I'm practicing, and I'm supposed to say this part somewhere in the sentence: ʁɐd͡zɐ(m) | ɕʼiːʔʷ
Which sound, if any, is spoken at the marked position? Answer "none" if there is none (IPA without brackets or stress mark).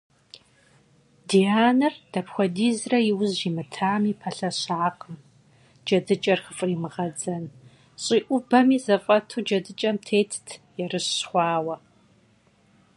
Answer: n